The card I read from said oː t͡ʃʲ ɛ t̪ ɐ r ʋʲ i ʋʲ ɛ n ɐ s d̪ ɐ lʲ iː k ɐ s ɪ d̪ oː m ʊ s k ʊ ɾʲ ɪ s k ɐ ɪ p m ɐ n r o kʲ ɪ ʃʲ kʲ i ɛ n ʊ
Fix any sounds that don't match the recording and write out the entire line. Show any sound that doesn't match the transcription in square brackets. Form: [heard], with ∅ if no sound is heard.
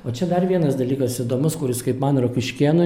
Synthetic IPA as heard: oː t͡ʃʲ ɛ [d̪] ɐ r ʋʲ i [∅] ɛ n ɐ s d̪ ɐ lʲ iː k ɐ s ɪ d̪ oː m ʊ s k ʊ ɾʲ ɪ s k ɐ ɪ p m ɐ n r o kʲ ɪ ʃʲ kʲ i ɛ n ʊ